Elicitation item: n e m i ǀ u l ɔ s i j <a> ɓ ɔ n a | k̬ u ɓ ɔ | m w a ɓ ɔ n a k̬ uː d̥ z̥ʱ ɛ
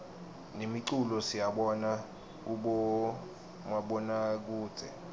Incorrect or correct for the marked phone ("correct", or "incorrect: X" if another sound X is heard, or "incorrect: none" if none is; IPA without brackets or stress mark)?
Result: correct